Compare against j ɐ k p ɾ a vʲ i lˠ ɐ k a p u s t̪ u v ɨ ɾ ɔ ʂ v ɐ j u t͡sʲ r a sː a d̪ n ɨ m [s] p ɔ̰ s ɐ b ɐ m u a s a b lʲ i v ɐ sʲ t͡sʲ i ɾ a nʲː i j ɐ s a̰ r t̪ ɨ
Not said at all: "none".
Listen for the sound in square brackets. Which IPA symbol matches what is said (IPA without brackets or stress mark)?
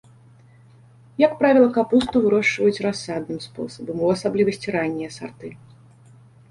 s